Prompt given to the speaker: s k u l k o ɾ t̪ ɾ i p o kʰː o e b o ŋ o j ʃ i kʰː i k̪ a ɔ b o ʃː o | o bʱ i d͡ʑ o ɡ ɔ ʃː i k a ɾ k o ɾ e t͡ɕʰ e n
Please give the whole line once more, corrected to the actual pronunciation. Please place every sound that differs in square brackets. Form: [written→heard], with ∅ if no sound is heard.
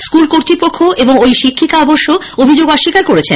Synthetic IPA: s k u l k o ɾ t̪ ɾ i p o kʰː o e b o ŋ o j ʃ i kʰː i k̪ a ɔ b o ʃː o | o bʱ i d͡ʑ o ɡ ɔ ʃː i k a ɾ k o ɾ e t͡ɕʰ e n